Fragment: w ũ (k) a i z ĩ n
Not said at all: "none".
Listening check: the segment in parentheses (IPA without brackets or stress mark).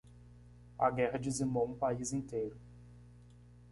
p